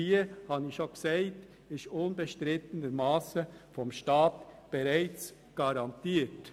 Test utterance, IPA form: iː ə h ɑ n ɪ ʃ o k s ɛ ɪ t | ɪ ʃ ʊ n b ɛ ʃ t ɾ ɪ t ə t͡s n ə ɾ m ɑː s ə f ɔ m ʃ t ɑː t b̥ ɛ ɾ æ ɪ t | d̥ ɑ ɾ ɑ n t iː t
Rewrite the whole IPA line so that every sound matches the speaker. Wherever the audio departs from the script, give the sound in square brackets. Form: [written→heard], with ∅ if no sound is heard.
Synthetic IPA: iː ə h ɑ n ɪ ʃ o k s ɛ ɪ t | ɪ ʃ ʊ n b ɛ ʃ t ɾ ɪ t ə [t͡s→∅] n ə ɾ m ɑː s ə f ɔ m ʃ t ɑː t b̥ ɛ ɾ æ ɪ [t→t͡s] | [d̥→ɡ̥] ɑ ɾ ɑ n t iː t